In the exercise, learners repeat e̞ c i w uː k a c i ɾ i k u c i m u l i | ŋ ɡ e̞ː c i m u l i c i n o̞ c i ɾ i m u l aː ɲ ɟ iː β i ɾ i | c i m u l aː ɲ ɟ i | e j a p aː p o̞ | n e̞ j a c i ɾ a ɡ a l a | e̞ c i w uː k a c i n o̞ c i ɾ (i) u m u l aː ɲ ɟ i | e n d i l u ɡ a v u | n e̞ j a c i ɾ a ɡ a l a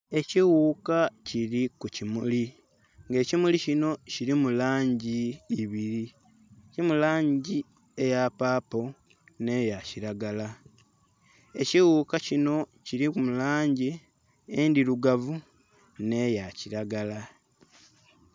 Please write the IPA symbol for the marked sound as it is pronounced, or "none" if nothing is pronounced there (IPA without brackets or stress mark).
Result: i